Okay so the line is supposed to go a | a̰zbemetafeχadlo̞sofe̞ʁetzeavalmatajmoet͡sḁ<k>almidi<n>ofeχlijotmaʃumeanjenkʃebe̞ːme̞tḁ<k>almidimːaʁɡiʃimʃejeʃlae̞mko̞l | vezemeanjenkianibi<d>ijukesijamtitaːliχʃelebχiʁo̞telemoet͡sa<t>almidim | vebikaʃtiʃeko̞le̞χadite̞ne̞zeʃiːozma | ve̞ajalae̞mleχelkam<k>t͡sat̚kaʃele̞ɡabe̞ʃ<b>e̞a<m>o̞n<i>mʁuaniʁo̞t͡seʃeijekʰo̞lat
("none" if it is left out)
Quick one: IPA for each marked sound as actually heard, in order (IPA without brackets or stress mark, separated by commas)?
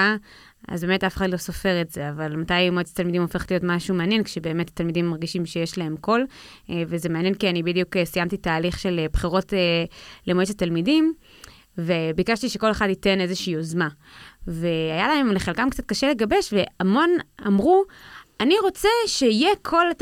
t, m, t, d, t, k, v, m, a